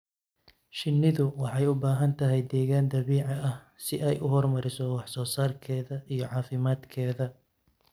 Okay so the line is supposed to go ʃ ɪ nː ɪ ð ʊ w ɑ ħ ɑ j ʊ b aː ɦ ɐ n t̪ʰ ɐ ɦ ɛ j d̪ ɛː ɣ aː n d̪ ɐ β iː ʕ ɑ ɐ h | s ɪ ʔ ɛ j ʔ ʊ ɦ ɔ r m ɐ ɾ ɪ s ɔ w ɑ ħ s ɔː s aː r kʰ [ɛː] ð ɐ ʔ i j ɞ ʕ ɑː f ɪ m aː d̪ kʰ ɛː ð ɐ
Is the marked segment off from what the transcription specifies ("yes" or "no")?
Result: no